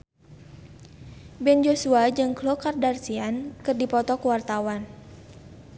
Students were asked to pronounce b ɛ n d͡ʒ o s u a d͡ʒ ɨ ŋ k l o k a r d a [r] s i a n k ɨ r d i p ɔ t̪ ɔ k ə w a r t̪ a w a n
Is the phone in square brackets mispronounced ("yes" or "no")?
no